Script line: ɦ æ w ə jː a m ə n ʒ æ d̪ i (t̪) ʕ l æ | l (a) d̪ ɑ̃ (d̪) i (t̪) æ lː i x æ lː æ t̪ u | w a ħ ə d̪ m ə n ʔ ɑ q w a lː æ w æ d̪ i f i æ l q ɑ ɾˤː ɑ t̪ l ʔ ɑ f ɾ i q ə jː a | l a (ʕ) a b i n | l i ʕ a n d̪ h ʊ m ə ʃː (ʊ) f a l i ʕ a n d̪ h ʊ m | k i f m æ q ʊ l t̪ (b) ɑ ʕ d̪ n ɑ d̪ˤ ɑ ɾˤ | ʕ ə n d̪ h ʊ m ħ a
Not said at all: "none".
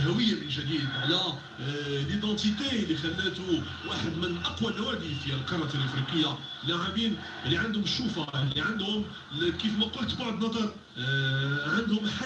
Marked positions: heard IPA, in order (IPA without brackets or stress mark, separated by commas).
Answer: d̪, i, t̪, t̪, ʕ, u, b